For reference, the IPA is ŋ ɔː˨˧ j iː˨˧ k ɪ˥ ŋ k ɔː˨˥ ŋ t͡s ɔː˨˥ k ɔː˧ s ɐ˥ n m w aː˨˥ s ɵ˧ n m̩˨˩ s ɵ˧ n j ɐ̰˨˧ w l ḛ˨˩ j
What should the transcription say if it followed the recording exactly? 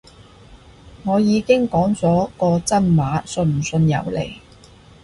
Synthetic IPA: ŋ ɔː˨˧ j iː˨˧ k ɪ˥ ŋ k ɔː˨˥ ŋ t͡s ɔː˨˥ k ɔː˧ t͡s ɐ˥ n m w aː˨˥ s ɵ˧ n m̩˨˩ s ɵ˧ n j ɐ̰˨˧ w l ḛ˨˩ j